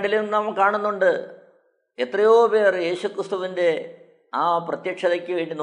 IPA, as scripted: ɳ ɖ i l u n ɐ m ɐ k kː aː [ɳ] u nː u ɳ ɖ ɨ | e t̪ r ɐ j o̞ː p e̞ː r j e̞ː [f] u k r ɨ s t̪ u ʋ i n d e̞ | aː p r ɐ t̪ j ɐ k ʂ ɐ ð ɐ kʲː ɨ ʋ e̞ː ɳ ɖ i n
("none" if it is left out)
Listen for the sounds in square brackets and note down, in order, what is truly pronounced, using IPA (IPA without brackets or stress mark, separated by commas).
ɳ, ɕ